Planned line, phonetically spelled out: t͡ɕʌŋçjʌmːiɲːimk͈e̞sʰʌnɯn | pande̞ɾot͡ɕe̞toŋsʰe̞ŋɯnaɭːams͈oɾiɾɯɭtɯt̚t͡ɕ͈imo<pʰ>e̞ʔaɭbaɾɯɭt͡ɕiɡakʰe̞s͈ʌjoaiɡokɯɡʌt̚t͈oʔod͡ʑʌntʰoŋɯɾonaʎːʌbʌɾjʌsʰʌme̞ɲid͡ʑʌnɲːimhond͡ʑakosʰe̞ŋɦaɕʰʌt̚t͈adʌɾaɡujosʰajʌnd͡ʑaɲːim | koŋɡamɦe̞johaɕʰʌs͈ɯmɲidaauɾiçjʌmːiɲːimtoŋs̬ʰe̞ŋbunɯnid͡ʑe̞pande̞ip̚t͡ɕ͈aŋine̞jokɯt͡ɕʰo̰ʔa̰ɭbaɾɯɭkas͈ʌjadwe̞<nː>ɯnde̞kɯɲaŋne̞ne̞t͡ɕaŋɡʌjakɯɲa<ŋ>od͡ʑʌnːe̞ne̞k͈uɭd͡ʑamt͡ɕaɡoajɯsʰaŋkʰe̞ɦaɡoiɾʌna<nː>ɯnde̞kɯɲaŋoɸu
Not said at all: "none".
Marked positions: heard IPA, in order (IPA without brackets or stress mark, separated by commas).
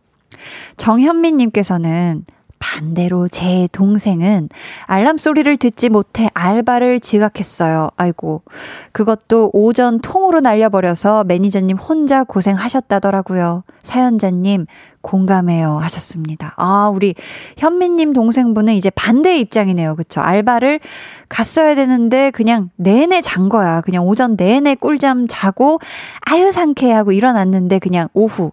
tʰ, n, ŋ, nː